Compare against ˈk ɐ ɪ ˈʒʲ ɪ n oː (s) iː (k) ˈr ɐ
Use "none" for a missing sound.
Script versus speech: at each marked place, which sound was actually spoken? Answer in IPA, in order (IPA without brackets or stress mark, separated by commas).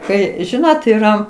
t, none